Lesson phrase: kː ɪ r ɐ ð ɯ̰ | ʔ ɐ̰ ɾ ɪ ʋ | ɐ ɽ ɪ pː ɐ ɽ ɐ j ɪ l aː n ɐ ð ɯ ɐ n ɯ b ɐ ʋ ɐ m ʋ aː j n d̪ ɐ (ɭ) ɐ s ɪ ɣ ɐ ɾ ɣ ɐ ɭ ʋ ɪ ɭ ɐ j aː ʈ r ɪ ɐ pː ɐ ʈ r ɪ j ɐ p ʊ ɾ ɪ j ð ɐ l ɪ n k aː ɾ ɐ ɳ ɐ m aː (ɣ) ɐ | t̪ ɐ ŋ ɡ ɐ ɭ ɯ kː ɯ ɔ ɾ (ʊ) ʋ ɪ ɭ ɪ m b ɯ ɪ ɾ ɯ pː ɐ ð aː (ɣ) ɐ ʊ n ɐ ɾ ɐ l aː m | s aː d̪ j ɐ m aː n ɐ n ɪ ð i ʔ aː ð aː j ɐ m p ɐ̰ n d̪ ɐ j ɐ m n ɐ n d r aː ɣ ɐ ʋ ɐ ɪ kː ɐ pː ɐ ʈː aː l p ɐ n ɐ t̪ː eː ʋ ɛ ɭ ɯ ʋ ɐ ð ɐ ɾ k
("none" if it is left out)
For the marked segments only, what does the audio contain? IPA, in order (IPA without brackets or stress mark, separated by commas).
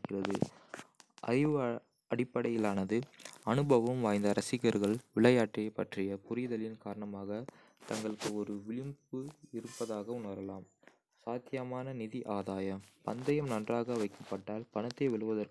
ɾ, ɣ, ɯ, ɣ